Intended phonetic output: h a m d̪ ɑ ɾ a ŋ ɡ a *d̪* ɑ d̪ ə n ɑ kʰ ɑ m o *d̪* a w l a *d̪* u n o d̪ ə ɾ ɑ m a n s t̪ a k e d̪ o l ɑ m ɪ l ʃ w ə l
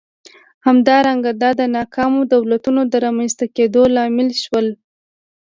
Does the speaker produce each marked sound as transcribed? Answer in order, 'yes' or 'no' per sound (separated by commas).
yes, yes, no